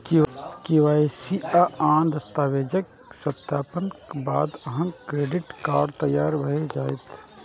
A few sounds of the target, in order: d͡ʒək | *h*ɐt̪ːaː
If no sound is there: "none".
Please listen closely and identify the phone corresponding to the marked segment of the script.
s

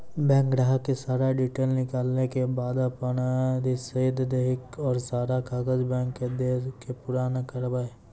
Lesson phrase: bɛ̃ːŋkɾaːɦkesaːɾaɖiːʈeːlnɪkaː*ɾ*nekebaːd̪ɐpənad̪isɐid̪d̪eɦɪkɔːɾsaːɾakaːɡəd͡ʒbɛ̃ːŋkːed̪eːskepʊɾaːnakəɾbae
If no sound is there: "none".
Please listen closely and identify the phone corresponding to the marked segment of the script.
l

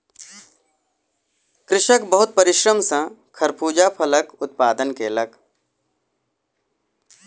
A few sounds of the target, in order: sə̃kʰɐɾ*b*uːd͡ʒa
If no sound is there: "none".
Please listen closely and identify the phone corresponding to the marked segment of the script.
p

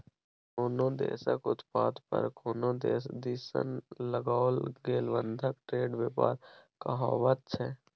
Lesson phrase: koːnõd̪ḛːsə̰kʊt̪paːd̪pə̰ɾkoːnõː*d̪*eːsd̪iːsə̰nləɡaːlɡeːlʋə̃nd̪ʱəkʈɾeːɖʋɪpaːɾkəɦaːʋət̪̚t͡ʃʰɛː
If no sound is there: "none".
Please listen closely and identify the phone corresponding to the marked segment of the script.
d̪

